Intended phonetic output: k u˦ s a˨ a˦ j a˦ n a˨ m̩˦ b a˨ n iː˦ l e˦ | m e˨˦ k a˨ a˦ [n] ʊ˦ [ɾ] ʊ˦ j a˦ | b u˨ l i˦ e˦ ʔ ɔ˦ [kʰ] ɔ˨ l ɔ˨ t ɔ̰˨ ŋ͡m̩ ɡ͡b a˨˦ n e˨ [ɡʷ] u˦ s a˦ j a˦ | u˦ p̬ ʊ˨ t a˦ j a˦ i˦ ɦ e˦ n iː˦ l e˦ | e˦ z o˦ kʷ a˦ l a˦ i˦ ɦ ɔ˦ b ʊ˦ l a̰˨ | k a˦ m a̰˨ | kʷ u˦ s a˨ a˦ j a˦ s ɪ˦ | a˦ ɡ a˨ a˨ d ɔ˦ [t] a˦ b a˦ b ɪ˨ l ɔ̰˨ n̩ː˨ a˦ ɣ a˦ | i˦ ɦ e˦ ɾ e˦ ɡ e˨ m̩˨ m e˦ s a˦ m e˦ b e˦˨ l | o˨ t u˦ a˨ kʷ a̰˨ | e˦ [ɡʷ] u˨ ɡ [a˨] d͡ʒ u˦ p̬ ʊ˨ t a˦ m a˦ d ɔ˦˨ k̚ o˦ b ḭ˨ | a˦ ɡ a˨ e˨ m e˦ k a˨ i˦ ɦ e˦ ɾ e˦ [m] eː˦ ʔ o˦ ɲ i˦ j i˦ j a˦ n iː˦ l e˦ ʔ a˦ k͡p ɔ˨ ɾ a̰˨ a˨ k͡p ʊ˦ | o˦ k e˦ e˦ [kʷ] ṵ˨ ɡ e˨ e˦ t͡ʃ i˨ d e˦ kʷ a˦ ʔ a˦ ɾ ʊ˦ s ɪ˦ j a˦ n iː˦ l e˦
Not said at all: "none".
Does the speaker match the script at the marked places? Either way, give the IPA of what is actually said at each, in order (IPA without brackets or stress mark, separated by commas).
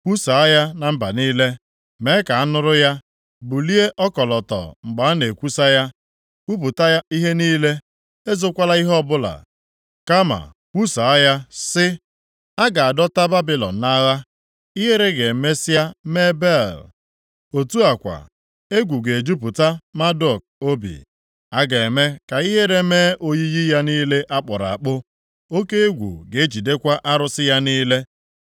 n, ɾ, k, kʷ, t, ɡʷ, e˨, m, ɡʷ